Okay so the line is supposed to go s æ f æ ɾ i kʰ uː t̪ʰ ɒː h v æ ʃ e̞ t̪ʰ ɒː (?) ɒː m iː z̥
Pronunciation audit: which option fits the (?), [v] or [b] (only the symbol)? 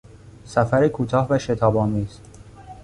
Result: b